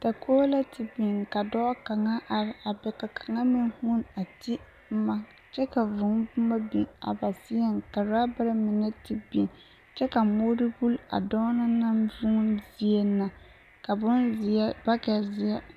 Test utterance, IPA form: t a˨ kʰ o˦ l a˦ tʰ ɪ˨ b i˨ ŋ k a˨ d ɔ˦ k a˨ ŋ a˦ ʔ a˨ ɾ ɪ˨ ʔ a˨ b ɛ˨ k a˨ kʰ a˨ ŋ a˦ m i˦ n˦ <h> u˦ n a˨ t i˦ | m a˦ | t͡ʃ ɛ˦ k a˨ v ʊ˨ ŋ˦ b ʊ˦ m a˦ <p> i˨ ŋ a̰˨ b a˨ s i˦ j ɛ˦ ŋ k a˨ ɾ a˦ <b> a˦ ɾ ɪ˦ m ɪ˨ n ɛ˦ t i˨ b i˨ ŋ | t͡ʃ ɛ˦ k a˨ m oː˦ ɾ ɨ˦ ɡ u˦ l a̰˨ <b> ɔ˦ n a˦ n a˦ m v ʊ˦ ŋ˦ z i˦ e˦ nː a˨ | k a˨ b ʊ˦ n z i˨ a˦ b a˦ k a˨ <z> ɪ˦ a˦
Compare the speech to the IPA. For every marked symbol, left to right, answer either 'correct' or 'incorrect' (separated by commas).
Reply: correct, incorrect, correct, incorrect, correct